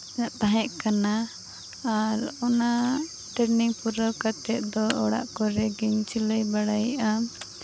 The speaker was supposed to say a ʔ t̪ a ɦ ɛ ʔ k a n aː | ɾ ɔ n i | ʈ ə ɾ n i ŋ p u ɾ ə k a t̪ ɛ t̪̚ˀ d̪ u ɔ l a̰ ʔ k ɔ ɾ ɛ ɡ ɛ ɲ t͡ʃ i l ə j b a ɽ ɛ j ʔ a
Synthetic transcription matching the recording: a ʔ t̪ a ɦ ɛ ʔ k a n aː | ɾ ɔ n a | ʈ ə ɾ n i ŋ p u ɾ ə k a t̪ ɛ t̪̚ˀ d̪ ɔ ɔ ɽ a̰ ʔ k ɔ ɾ ɛ ɡ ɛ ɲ t͡ʃ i l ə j b a ɽ a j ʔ a